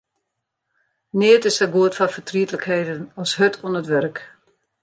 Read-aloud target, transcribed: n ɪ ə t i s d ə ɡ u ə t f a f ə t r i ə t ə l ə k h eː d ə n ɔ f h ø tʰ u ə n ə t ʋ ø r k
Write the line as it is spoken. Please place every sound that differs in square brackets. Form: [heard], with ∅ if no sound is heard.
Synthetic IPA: n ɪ ə t [ɪ] s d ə ɡ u ə t f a f ə t r i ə t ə l ə k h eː d ə n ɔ [s] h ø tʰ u ə n ə t ʋ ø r k